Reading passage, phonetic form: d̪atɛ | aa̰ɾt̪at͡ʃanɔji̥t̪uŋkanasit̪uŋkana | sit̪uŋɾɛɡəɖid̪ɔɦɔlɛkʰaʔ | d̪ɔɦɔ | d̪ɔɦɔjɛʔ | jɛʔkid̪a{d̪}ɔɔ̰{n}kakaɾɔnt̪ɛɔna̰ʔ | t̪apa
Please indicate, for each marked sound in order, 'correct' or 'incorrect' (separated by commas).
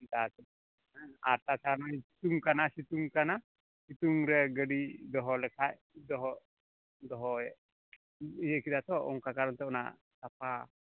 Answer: incorrect, incorrect